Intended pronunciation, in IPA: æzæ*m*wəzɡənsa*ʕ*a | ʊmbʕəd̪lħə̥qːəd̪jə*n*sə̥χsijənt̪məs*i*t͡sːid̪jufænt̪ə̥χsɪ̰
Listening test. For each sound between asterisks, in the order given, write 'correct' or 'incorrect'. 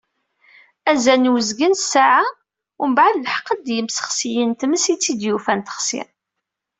incorrect, correct, incorrect, correct

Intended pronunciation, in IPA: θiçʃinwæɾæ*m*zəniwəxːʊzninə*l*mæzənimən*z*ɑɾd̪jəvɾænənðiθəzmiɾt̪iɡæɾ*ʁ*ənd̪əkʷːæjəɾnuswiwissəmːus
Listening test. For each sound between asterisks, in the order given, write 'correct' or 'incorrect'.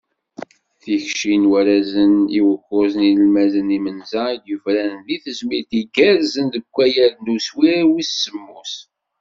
incorrect, correct, correct, incorrect

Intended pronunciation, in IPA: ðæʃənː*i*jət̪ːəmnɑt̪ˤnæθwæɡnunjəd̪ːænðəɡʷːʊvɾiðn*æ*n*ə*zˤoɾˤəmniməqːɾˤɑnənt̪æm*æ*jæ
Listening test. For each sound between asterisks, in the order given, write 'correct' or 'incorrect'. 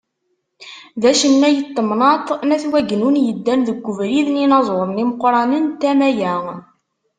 incorrect, incorrect, incorrect, correct

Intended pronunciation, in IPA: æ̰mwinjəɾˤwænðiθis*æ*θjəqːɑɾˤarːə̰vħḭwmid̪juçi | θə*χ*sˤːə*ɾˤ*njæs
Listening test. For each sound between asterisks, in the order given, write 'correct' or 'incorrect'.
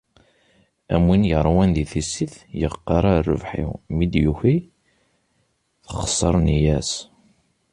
incorrect, correct, correct

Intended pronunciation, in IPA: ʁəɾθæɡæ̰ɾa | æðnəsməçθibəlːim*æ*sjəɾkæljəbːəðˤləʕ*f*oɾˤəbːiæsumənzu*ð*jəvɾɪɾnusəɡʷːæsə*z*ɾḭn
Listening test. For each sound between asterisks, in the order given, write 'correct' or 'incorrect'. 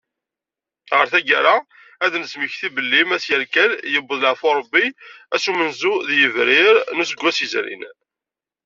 correct, correct, correct, correct

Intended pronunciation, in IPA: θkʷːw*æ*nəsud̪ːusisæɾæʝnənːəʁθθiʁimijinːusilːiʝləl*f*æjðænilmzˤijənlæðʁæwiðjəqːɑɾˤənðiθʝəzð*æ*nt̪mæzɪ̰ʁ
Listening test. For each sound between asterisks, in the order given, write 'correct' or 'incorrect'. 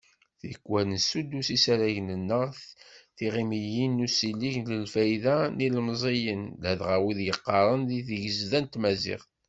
correct, correct, correct

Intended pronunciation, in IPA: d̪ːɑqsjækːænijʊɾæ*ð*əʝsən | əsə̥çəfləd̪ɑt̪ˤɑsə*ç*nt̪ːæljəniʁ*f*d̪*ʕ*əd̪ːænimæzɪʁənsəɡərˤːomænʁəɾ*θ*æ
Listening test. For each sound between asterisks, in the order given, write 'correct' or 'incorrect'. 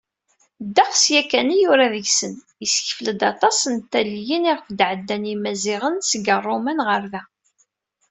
correct, incorrect, correct, correct, incorrect

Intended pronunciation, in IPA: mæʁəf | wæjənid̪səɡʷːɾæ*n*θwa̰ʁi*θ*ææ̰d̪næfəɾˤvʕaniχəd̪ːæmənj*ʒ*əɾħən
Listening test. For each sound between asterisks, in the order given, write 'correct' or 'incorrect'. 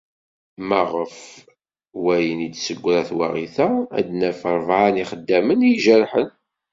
incorrect, correct, correct

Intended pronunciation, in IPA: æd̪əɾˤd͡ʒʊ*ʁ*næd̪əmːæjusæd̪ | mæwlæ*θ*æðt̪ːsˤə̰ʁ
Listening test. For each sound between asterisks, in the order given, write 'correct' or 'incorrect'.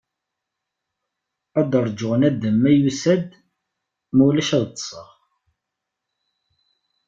correct, incorrect

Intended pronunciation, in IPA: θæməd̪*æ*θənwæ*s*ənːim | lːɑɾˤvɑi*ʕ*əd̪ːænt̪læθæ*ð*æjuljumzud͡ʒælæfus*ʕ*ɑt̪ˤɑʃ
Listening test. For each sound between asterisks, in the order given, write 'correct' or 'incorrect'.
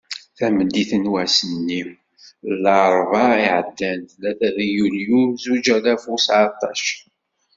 incorrect, correct, correct, correct, correct

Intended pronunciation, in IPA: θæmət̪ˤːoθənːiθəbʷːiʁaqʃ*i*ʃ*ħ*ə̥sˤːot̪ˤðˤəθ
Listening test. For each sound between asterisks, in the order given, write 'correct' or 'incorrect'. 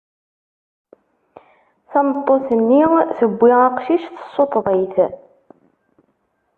correct, incorrect

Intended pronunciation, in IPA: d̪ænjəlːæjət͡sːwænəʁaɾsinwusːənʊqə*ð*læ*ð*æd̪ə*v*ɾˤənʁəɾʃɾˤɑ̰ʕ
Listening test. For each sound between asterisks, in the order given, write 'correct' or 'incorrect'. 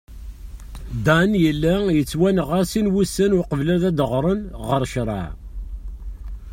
incorrect, correct, incorrect

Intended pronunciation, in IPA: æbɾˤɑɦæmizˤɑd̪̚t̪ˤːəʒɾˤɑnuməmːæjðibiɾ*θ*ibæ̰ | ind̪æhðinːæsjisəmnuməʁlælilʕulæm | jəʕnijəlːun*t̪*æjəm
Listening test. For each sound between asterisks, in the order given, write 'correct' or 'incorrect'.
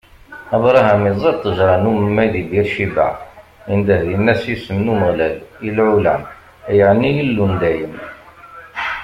incorrect, incorrect

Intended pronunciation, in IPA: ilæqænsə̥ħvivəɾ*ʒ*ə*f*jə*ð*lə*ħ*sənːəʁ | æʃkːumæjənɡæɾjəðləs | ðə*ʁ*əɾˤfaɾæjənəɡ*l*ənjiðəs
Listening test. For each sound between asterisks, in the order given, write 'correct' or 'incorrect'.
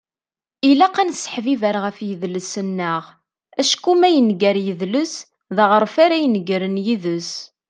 incorrect, correct, correct, incorrect, correct, incorrect

